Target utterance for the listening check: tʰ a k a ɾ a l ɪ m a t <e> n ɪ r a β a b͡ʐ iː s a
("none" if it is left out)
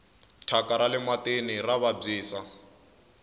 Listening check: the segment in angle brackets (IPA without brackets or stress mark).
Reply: e